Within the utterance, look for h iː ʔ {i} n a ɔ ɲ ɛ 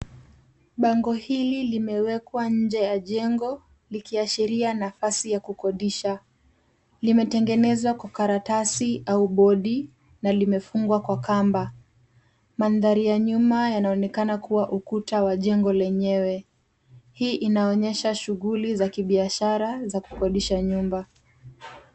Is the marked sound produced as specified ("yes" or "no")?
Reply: yes